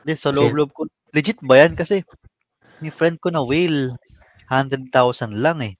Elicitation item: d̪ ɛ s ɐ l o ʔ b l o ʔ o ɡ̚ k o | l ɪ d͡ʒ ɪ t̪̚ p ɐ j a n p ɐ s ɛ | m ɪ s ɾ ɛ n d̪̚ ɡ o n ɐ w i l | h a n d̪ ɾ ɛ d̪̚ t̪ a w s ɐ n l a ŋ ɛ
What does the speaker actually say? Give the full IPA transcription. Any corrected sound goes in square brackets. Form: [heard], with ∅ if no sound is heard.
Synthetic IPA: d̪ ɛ s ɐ l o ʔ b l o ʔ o [b̚] k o | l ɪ d͡ʒ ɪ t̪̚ [b] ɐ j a n [k] ɐ s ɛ | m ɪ [f] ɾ ɛ n d̪̚ [k] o n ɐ w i l | h a n d̪ ɾ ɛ d̪̚ t̪ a w s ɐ n l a ŋ ɛ